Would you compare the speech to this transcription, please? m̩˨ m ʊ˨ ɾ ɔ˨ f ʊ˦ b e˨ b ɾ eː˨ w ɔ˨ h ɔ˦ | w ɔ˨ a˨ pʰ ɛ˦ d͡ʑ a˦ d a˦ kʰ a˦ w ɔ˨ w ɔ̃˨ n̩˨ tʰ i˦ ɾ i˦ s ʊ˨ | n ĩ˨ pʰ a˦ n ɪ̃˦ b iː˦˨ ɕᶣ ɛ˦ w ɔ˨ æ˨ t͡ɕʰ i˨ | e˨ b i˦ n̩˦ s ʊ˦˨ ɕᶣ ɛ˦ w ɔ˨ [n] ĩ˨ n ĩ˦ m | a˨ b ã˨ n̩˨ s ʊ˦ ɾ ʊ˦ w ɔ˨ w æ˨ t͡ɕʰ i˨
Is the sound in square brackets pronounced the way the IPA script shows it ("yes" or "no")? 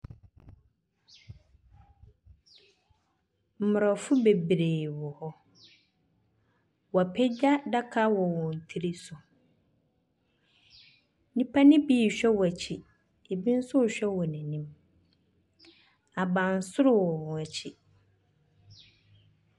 yes